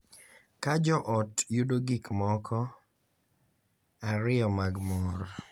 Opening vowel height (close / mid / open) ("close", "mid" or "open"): open